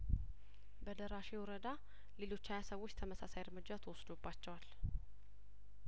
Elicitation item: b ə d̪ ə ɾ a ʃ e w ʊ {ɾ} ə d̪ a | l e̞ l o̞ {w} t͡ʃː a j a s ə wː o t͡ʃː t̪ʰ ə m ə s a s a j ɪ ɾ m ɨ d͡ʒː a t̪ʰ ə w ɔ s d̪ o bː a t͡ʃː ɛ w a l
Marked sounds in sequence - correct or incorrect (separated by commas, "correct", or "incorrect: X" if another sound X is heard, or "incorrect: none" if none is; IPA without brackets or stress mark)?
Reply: correct, incorrect: none